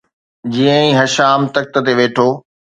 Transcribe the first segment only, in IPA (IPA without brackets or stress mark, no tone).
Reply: d͡ʑ